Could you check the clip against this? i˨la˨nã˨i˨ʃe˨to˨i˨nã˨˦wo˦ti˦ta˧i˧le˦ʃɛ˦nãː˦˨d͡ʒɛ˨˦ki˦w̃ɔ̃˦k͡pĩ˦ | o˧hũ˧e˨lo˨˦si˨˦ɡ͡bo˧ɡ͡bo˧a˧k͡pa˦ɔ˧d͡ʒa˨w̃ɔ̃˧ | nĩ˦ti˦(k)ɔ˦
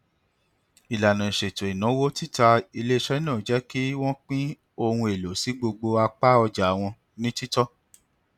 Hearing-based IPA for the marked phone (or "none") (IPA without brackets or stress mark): t